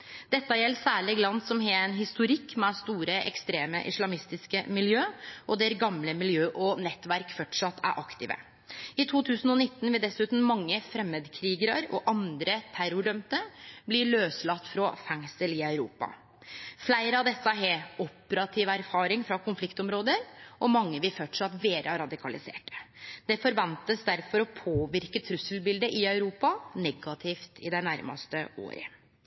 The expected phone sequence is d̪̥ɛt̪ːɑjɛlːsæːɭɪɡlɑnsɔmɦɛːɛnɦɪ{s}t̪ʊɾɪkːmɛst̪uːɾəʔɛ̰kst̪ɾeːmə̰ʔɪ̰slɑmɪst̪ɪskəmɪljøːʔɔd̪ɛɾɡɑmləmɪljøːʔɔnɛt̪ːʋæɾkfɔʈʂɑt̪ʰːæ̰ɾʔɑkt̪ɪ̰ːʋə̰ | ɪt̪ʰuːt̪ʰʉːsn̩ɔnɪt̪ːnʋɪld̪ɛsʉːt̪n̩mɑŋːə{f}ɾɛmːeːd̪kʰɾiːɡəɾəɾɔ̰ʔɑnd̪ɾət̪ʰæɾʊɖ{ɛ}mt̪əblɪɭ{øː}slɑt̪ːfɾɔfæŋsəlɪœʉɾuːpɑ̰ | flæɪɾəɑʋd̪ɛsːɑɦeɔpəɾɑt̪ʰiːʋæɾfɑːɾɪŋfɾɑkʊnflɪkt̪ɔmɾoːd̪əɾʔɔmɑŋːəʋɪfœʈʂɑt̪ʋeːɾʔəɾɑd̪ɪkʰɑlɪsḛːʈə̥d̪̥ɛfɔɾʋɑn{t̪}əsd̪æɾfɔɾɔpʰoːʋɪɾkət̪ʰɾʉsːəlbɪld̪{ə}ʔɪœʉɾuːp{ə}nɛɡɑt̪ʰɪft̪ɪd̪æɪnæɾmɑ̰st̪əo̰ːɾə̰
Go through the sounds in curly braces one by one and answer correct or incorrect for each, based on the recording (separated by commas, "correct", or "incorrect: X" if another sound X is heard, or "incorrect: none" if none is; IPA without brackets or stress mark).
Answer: correct, correct, incorrect: œ, correct, correct, correct, incorrect: ɑ